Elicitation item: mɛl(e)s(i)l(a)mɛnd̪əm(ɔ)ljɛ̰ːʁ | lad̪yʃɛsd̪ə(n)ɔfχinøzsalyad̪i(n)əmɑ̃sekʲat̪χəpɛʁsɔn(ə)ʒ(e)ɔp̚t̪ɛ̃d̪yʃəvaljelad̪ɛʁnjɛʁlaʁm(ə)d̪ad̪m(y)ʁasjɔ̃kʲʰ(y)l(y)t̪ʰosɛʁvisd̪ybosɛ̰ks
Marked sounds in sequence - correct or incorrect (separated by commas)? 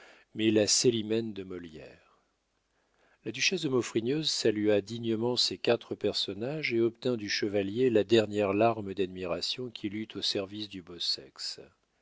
incorrect, incorrect, incorrect, correct, incorrect, incorrect, incorrect, correct, correct, incorrect, incorrect, correct